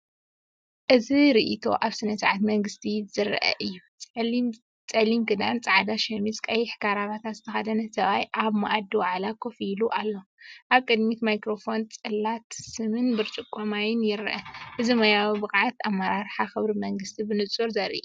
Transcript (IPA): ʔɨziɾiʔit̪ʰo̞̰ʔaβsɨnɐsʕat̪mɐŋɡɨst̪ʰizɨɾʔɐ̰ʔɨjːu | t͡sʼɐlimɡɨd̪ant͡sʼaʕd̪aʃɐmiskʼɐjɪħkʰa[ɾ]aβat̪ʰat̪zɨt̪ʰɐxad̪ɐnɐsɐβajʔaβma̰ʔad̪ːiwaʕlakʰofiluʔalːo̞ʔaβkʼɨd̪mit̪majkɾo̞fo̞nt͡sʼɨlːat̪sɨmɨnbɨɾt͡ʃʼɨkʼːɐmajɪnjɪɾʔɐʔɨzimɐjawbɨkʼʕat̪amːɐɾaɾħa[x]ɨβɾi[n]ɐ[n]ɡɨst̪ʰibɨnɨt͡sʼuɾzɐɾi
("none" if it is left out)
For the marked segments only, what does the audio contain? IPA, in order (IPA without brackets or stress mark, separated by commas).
ɾ, x, m, ŋ